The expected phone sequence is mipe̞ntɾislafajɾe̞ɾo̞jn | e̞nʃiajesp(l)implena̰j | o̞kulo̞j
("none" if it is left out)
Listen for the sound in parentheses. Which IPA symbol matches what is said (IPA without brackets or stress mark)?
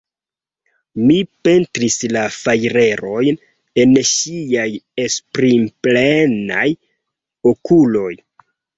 ɾ